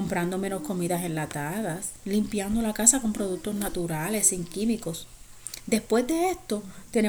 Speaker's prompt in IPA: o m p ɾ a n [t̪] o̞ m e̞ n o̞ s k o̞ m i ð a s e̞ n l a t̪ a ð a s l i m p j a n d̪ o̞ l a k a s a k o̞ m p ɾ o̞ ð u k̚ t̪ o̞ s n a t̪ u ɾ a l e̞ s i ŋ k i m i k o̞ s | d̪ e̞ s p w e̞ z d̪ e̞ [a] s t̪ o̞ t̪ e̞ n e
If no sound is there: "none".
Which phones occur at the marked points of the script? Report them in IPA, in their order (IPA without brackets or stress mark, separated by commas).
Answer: d̪, e